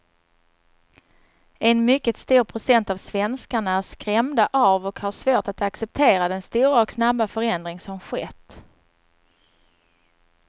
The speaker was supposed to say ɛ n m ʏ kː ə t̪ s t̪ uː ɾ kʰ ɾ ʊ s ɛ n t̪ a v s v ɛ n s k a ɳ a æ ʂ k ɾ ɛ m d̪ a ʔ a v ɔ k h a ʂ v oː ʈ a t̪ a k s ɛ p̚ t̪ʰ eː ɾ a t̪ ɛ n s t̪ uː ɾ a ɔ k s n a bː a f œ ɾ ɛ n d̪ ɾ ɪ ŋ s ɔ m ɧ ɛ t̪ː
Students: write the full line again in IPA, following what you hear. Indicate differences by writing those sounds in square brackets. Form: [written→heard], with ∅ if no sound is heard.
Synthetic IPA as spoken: ɛ n m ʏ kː ə t̪ s t̪ uː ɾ [kʰ→pʰ] ɾ ʊ s ɛ n t̪ a v s v ɛ n s k a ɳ a æ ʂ k ɾ ɛ m d̪ a ʔ a v ɔ k h a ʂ v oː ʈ a t̪ a k s ɛ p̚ t̪ʰ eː ɾ a [t̪→d̪] ɛ n s t̪ uː ɾ a ɔ k s n a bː a f œ ɾ ɛ n d̪ ɾ ɪ ŋ s ɔ m ɧ ɛ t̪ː